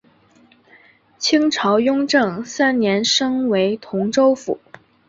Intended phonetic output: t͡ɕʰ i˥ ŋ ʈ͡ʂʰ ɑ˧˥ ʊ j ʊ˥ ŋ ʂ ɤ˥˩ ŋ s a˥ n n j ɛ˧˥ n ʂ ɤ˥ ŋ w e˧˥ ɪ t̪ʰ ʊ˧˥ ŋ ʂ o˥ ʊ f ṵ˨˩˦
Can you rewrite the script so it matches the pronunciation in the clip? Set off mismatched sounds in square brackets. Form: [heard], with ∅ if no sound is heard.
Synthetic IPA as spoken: t͡ɕʰ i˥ ŋ ʈ͡ʂʰ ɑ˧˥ ʊ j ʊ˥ ŋ [ʈ͡ʂ] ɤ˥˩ ŋ s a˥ n n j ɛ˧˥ n ʂ ɤ˥ ŋ w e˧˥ ɪ t̪ʰ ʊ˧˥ ŋ [ʈ͡ʂ] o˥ ʊ f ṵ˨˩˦